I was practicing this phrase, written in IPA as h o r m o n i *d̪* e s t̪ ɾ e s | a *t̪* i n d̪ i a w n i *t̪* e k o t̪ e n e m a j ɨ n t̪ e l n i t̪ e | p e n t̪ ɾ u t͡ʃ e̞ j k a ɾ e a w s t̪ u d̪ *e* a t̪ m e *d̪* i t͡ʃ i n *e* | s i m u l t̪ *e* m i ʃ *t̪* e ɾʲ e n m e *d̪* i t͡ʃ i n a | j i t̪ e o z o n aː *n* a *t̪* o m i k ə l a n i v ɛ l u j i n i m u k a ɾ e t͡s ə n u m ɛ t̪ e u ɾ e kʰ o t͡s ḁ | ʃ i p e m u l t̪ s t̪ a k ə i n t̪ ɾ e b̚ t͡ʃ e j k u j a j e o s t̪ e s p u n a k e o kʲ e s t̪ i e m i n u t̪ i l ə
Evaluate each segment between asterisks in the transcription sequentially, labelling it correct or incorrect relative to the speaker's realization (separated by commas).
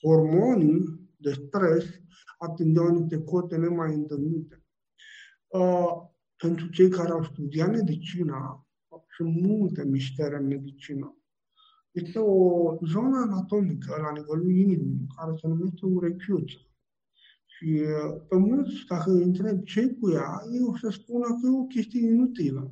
correct, correct, correct, incorrect, correct, incorrect, correct, correct, correct, correct, correct